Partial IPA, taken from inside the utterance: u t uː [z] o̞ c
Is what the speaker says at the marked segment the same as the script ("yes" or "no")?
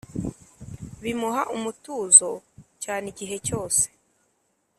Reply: yes